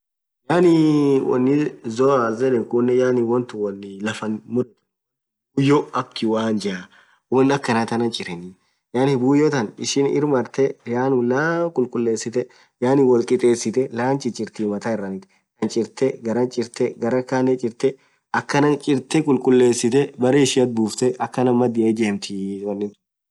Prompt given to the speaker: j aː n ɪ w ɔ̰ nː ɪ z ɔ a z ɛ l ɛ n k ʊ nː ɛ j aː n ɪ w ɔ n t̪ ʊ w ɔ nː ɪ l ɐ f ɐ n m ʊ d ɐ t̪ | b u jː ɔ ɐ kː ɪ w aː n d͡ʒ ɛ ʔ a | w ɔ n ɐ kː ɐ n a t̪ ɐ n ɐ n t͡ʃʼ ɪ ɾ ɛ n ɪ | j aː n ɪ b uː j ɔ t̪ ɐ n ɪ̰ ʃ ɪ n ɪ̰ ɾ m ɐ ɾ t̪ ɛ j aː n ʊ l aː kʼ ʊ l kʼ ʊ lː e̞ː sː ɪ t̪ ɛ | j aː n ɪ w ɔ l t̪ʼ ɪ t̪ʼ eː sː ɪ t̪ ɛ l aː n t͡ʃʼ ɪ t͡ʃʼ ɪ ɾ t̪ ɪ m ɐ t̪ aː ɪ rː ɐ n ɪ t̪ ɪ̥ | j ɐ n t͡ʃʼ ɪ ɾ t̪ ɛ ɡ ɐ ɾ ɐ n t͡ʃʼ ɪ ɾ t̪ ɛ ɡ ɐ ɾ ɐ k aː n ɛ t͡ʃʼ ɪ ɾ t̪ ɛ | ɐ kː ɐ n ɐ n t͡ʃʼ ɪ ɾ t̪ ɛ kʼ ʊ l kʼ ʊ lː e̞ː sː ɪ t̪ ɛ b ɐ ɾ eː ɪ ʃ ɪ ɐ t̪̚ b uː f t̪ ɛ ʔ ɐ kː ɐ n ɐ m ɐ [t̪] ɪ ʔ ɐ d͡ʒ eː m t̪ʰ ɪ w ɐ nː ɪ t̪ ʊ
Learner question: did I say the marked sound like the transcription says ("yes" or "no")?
no